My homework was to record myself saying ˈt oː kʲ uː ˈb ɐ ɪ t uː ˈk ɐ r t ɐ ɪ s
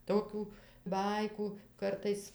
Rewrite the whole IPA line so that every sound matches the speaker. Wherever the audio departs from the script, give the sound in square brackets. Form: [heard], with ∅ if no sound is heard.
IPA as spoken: ˈt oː kʲ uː ˈb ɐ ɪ [k] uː ˈk ɐ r t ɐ ɪ s